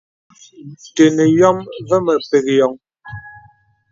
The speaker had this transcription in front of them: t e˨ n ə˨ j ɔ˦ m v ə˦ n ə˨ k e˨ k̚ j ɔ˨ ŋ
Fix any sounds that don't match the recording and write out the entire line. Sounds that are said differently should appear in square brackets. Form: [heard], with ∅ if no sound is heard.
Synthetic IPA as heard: t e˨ n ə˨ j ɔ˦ m v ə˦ [m] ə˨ [p] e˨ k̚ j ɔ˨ ŋ

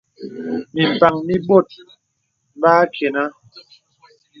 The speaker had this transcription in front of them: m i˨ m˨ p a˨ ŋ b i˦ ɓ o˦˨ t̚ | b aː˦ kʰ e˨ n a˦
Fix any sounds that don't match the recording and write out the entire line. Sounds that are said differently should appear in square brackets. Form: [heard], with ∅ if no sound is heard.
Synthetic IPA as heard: m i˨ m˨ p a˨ ŋ [m] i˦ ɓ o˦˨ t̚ | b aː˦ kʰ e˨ n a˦

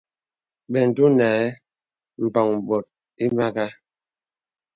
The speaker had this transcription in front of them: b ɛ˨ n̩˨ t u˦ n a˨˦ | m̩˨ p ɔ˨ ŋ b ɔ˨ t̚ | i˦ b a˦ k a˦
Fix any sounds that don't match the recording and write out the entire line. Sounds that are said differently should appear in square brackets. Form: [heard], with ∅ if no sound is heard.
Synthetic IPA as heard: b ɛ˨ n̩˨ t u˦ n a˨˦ | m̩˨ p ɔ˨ ŋ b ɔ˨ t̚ | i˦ [m] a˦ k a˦

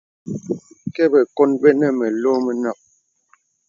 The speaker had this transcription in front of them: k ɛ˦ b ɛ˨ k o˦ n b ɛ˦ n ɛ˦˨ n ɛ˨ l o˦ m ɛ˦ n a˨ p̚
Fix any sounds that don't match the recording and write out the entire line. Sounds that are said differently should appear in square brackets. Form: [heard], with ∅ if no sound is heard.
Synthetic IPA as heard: k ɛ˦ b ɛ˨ k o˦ n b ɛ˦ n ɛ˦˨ [m] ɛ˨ l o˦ m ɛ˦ n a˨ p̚

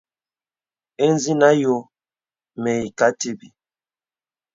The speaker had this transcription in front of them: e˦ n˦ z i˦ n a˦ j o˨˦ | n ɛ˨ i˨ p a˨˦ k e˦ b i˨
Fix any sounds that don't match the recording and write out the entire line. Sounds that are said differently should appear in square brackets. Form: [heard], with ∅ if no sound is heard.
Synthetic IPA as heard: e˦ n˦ z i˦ n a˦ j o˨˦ | [m] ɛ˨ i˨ [k] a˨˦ [t] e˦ b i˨

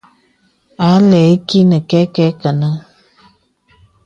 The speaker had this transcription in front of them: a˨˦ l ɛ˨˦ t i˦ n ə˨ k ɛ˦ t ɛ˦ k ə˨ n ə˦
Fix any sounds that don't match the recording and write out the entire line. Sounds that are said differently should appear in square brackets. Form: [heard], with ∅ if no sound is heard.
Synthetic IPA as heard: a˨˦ l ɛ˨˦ [k] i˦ n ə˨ k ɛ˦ [k] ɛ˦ k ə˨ n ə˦

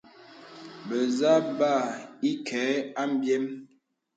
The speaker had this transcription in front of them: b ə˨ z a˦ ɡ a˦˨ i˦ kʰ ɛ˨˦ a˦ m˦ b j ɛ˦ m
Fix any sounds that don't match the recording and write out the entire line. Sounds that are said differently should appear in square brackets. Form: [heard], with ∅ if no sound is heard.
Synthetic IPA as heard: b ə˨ z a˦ [b] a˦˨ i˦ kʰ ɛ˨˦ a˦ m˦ b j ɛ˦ m

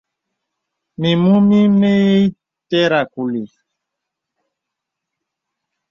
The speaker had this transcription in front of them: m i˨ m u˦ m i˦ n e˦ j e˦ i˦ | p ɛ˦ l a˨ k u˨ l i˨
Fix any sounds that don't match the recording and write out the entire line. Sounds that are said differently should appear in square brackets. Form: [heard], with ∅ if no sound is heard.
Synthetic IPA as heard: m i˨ m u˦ m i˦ [m] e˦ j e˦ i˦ | [t] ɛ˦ [ɾ] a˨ k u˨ l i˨

